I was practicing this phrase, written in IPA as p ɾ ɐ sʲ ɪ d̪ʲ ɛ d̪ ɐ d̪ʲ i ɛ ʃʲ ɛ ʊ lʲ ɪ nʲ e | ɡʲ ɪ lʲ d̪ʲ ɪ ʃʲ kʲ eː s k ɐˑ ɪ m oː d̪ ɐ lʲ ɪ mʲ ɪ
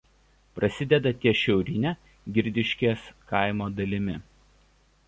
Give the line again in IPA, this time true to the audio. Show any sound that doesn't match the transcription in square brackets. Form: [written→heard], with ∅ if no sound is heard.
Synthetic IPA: p ɾ ɐ sʲ ɪ d̪ʲ ɛ d̪ ɐ [d̪ʲ→t̪ʲ] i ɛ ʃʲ ɛ ʊ [lʲ→ɾʲ] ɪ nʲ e | ɡʲ ɪ [lʲ→ɾʲ] d̪ʲ ɪ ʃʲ kʲ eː s k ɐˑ ɪ m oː d̪ ɐ lʲ ɪ mʲ ɪ